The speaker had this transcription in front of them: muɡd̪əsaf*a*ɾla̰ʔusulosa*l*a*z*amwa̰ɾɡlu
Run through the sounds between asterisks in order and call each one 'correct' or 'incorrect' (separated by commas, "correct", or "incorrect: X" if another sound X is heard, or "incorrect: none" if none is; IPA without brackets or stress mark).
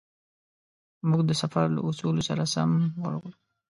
correct, incorrect: ɾ, incorrect: s